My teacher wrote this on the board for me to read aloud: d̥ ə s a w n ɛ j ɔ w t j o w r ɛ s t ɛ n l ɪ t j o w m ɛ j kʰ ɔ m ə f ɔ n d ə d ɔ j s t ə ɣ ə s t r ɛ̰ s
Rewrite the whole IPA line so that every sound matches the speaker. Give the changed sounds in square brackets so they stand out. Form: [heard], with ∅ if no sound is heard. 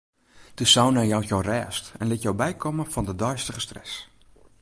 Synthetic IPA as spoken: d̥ ə s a w n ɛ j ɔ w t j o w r [ɛː] s t ɛ n l ɪ t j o w [b] ɛ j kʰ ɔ m ə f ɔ n d ə d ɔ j s t ə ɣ ə s t r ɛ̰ s